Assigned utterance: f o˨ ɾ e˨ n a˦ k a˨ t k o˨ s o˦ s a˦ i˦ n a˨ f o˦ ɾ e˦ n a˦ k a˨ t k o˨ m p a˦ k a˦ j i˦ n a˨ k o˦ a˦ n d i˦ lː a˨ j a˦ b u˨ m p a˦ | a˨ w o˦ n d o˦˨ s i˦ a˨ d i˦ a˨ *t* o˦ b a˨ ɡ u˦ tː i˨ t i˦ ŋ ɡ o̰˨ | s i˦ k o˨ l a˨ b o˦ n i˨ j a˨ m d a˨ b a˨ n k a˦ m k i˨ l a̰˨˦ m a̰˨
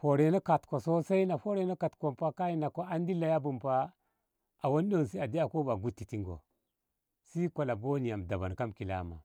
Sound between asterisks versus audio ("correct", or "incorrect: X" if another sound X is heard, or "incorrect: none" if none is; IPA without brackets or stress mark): incorrect: k